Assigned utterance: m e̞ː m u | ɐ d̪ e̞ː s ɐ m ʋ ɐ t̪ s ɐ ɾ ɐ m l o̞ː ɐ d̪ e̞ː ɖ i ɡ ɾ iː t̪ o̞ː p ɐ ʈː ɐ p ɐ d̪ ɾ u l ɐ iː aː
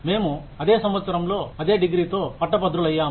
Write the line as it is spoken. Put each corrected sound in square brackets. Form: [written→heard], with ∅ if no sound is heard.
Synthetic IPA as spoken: m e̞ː m u | ɐ d̪ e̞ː s ɐ m ʋ ɐ t̪ s ɐ ɾ ɐ m l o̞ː ɐ d̪ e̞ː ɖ i ɡ ɾ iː t̪ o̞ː p ɐ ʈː ɐ p ɐ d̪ ɾ u l ɐ [iː→jː] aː